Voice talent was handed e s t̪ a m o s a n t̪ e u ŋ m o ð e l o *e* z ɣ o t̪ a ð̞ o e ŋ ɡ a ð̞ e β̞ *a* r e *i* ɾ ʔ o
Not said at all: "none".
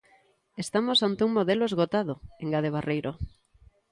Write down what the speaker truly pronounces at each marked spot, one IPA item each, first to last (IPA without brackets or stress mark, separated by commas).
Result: e, a, j